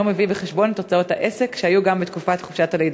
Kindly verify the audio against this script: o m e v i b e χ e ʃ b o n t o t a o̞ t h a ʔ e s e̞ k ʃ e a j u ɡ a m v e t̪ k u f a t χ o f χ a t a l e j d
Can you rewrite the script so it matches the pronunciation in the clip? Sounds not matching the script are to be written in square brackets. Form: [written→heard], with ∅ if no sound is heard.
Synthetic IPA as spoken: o m e v i b e χ e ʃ b o n t o [t→t͡s] a o̞ t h a ʔ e s e̞ k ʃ e a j u ɡ a m [v→b] e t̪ k u f a t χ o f [χ→ʃ] a t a l e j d